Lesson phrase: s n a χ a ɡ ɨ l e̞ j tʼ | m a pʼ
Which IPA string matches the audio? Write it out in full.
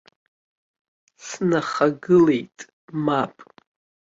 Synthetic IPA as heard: s n a χ a ɡ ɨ l e̞ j tʼ | m a pʼ